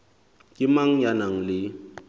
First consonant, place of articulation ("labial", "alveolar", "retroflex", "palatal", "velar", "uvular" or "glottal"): velar